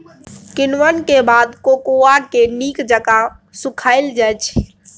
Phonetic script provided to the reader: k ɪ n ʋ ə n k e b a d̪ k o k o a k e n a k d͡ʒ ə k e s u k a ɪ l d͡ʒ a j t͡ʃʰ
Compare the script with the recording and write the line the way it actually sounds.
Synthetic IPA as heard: k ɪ n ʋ ə n k e b a d̪ k o k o a k e n i k d͡ʒ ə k a s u kʰ a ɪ l d͡ʒ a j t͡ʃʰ